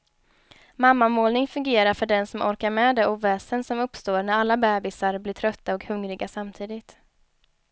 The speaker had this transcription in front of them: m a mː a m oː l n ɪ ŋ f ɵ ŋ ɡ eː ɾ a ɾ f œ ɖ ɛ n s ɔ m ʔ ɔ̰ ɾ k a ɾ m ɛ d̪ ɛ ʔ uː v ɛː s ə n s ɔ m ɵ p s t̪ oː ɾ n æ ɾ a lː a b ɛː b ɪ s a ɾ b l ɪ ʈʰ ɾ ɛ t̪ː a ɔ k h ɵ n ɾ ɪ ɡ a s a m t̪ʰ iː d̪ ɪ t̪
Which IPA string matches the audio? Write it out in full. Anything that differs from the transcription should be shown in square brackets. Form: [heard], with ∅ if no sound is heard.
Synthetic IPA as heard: m a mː a m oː l n ɪ ŋ f ɵ ŋ ɡ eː ɾ a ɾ f œ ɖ ɛ n s ɔ m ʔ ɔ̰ ɾ k a ɾ m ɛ d̪ ɛ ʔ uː v ɛː s ə n s ɔ m ɵ p s t̪ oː ɾ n æ ɾ a lː a b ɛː b ɪ s a ɾ b l ɪ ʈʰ ɾ [œ] t̪ː a ɔ k h ɵ [ŋ] ɾ ɪ ɡ a s a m t̪ʰ iː d̪ ɪ t̪